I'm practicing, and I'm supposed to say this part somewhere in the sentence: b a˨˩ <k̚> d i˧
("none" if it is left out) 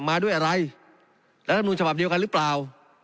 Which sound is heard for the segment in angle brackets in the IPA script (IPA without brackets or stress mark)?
p̚